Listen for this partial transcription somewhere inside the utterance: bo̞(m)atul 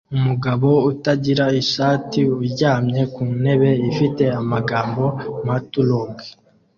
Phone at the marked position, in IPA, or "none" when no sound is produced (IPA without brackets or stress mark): m